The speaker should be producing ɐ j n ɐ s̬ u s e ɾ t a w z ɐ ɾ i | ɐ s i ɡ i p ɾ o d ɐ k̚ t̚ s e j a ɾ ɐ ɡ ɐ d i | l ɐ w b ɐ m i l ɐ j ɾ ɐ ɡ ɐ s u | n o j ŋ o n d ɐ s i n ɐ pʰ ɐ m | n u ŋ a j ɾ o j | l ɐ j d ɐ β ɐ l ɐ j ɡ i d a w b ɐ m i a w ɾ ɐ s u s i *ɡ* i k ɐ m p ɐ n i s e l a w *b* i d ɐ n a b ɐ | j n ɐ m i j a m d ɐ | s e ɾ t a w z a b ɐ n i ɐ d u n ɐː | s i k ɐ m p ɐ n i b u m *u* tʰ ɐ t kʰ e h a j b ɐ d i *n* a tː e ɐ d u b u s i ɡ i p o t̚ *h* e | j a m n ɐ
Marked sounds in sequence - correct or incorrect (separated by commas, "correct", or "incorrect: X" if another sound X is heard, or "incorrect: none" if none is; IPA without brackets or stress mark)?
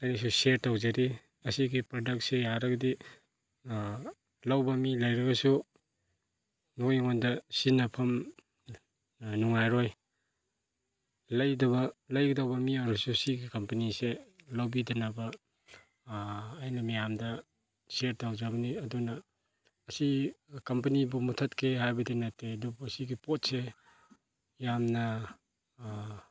correct, correct, correct, correct, incorrect: s